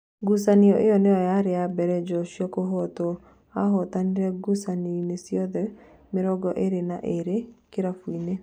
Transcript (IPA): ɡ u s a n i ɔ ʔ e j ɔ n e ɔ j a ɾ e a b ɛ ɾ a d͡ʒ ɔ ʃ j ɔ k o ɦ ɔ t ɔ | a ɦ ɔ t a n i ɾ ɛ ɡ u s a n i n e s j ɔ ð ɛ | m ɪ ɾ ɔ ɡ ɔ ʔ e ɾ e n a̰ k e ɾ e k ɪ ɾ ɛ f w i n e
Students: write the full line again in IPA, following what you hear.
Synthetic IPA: ɡ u s a n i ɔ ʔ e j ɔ n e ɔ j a ɾ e a b ɛ ɾ ɛ d͡ʒ ɔ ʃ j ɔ k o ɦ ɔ t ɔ | a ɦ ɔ t a n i ɾ ɛ ɡ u s a n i n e s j ɔ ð ɛ | m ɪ ɾ ɔ ɡ ɔ ʔ e ɾ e n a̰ ʔ e ɾ e k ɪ ɾ a f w i n e